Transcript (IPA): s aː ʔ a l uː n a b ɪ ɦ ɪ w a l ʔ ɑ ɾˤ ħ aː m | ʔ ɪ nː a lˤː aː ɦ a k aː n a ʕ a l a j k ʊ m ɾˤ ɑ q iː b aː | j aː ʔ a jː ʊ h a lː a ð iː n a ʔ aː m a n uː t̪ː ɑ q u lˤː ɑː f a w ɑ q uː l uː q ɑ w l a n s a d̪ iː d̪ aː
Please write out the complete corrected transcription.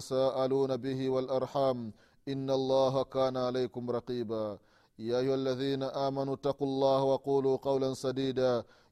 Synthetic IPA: s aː ʔ a l uː n a b ɪ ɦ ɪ w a l ʔ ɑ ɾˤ ħ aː m | ʔ ɪ nː a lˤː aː ɦ a k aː n a ʕ a l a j k ʊ m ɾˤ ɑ q iː b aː | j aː ʔ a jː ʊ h a lː a ð iː n a ʔ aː m a n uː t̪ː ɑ q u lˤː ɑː h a w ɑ q uː l uː q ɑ w l a n s a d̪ iː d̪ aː